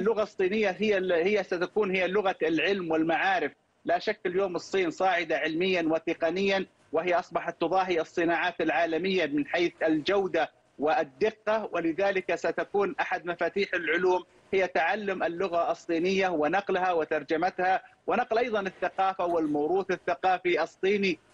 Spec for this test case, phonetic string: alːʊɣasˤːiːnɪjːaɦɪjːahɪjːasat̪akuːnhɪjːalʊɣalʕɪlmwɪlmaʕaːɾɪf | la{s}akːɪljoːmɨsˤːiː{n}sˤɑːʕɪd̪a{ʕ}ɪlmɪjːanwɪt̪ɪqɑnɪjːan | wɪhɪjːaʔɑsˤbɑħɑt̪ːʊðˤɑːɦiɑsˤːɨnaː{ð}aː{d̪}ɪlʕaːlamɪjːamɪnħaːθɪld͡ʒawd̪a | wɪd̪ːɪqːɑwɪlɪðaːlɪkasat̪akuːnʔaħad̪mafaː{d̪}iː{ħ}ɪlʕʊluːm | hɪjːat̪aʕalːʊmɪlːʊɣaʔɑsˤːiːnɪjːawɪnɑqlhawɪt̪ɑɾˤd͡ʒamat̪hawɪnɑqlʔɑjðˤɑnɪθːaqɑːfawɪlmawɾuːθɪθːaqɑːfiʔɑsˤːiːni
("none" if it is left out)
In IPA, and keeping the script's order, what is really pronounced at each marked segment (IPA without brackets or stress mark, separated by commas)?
ʃ, n, ʕ, ʕ, t̪, t̪, ħ